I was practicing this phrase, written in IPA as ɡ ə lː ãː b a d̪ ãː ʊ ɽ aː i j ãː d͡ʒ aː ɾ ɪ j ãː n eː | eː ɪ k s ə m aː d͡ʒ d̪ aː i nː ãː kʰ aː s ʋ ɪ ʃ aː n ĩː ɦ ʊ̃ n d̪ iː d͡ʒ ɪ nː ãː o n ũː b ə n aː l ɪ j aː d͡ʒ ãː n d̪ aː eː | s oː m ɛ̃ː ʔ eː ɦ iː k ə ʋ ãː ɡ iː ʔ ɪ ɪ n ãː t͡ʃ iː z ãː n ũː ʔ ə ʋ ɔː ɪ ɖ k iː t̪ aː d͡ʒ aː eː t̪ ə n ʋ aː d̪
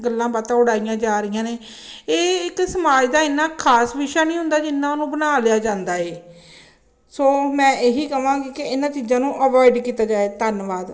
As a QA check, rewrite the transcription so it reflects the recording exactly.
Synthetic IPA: ɡ ə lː ãː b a t̪ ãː ʊ ɽ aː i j ãː d͡ʒ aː ɾ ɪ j ãː n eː | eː ɪ k s ə m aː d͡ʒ d̪ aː ɪ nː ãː kʰ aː s ʋ ɪ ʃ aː n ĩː ɦ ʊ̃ n d̪ aː d͡ʒ ɪ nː ãː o n ũː b ə n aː l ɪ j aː d͡ʒ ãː n d̪ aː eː | s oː m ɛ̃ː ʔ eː ɦ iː k ə ʋ ãː ɡ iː k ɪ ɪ n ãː t͡ʃ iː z ãː n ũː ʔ ə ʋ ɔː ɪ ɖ k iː t̪ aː d͡ʒ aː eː t̪ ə n ʋ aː d̪

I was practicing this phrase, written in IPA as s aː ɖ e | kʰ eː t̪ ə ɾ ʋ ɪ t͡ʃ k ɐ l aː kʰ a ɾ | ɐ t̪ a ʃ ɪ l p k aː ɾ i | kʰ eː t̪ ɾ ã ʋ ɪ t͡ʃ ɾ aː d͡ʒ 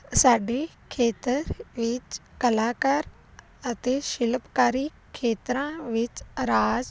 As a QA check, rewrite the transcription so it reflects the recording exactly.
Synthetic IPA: s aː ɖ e | kʰ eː t̪ ə ɾ ʋ ɪ t͡ʃ k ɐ l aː k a ɾ | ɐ t̪ e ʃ ɪ l p k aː ɾ i | kʰ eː t̪ ɾ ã ʋ ɪ t͡ʃ ɾ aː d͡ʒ

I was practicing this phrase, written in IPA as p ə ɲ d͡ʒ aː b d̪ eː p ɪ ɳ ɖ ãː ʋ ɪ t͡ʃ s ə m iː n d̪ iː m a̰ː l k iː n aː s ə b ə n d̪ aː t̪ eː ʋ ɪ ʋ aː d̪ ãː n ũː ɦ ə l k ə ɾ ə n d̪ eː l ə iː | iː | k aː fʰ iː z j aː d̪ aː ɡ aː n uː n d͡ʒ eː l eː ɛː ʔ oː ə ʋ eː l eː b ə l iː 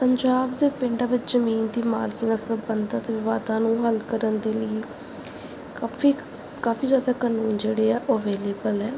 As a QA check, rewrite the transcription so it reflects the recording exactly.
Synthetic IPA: p ə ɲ d͡ʒ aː b d̪ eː p ɪ ɳ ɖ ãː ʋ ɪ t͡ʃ z ə m iː n d̪ iː m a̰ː l k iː n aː s ə b ə n d̪ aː t̪ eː ʋ ɪ ʋ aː d̪ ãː n ũː ɦ ə l k ə ɾ ə n d̪ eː l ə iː | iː | k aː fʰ iː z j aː d̪ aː k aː n uː n d͡ʒ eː ɽ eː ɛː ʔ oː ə ʋ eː l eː b ə l ɛː

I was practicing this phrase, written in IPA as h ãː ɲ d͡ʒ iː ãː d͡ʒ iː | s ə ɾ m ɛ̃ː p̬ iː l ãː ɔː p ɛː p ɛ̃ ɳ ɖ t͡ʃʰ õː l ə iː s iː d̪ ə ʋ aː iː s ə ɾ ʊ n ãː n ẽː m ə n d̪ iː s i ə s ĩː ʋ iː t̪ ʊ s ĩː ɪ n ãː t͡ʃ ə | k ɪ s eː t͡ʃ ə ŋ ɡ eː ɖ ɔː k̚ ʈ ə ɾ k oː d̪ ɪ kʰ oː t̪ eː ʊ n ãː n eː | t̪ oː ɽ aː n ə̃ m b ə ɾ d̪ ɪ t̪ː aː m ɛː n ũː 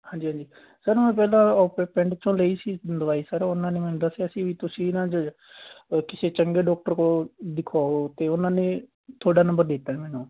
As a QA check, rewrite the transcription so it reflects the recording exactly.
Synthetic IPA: h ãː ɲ d͡ʒ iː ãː d͡ʒ iː | s ə ɾ m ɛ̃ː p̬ ɛː l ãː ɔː p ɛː p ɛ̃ ɳ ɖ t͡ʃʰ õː l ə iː s iː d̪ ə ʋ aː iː s ə ɾ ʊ n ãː n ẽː m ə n d̪ aː s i ə s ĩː ʋ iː t̪ ʊ s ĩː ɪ n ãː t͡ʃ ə | k ɪ s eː t͡ʃ ə ŋ ɡ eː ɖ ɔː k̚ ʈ ə ɾ k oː d̪ ɪ kʰ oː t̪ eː ʊ n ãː n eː | t̪ʰ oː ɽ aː n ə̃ m b ə ɾ d̪ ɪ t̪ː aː m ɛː n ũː

